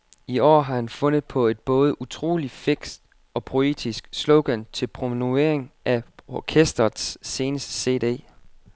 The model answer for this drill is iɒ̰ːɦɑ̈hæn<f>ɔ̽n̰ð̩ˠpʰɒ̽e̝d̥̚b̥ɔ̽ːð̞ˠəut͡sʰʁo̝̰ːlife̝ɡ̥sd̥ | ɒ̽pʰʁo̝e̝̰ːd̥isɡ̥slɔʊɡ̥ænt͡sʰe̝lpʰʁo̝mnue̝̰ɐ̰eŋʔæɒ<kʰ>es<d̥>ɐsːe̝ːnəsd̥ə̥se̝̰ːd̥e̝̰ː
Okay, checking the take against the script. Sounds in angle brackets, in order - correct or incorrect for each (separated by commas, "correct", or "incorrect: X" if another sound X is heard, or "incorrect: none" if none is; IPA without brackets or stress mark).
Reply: correct, correct, correct